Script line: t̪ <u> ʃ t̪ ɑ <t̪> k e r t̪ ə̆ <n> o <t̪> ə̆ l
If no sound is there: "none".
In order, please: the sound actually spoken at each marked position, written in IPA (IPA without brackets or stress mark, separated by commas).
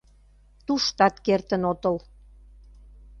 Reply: u, t̪, n, t̪